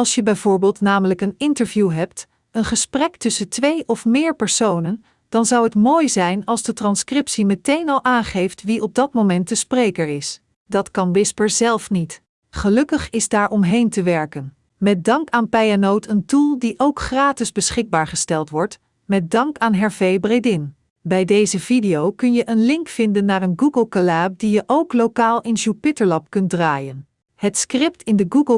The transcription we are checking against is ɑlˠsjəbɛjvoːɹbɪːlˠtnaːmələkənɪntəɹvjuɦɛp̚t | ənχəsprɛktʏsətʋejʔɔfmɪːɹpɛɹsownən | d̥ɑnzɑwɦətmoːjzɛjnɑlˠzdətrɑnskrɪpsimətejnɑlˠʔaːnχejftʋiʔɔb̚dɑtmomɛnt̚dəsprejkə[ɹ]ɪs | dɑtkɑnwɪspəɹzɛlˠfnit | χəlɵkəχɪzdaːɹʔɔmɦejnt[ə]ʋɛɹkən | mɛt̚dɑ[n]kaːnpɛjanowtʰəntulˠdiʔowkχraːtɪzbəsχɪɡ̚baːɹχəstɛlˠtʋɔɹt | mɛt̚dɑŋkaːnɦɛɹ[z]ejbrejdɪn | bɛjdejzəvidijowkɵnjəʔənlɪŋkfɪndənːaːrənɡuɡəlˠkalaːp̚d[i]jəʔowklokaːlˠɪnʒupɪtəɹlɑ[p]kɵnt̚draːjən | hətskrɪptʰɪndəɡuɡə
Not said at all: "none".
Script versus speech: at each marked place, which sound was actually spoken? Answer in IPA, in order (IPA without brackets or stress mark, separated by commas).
ɹ, ə, ŋ, v, i, p